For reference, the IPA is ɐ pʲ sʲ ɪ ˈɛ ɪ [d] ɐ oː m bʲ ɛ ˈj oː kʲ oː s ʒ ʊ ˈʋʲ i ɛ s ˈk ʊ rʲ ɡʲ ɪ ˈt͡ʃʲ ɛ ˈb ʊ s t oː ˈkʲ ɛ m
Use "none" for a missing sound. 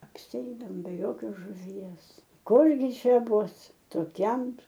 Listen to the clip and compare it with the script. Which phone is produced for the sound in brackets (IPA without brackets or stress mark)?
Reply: d